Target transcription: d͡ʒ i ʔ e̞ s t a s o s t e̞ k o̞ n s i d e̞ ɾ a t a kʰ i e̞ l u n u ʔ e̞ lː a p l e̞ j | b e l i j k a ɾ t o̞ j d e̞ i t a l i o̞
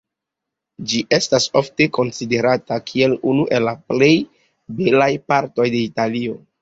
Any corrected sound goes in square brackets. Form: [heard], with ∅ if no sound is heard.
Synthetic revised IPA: d͡ʒ i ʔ e̞ s t a s o [f] t e̞ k o̞ n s i d e̞ ɾ a t a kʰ i e̞ l u n u ʔ e̞ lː a p l e̞ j | b e l [a] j [p] a ɾ t o̞ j d e̞ i t a l i o̞

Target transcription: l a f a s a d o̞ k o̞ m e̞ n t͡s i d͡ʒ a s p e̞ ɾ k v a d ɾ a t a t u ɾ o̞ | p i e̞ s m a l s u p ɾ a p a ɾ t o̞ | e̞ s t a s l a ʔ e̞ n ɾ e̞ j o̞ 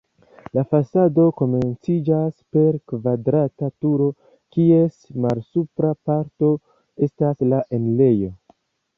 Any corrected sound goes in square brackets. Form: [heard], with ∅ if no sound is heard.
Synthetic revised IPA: l a f a s a d o̞ k o̞ m e̞ n t͡s i d͡ʒ a s p e̞ ɾ k v a d ɾ a t a t u ɾ o̞ | [k] i e̞ s m a l s u p ɾ a p a ɾ t o̞ | e̞ s t a s l a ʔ e̞ n [l] e̞ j o̞

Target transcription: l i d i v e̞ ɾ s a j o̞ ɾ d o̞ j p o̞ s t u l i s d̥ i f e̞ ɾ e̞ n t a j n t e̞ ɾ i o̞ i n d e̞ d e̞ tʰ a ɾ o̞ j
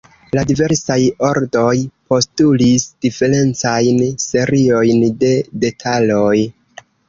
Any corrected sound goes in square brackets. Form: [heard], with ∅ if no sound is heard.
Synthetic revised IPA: l [a] d i v e̞ ɾ s a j o̞ ɾ d o̞ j p o̞ s t u l i s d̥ i f e̞ ɾ e̞ n [t͡s] a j n [s] e̞ ɾ i o̞ [j] n d e̞ d e̞ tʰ a [l] o̞ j

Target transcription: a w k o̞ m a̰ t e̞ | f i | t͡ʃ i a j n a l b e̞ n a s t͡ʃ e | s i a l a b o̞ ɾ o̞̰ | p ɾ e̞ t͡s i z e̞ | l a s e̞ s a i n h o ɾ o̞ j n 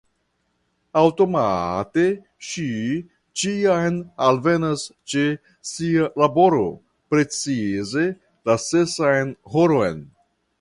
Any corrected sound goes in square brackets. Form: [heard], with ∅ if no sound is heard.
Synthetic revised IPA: a w [t] o̞ m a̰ t e̞ | [ʃ] i | t͡ʃ i a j n a l [v] e̞ n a s t͡ʃ e | s i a l a b o̞ ɾ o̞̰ | p ɾ e̞ t͡s i z e̞ | l a s e̞ s a [j] n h o ɾ o̞ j n

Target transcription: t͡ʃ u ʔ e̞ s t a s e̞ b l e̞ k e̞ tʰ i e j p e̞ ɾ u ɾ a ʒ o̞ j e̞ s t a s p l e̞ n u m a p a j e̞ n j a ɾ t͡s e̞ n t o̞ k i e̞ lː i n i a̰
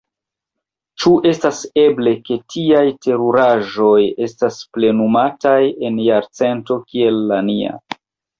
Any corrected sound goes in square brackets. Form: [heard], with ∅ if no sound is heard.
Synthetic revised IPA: t͡ʃ u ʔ e̞ s t a s e̞ b l e̞ k e̞ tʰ i [a] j [t] e̞ ɾ u ɾ a ʒ o̞ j e̞ s t a s p l e̞ n u m a [t] a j e̞ n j a ɾ t͡s e̞ n t o̞ k i e̞ lː [a] n i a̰

